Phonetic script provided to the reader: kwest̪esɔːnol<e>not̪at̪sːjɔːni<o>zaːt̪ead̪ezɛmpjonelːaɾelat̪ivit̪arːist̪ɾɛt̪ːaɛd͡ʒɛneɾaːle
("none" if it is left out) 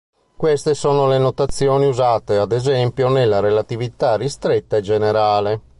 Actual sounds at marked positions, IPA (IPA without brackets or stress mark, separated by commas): e, u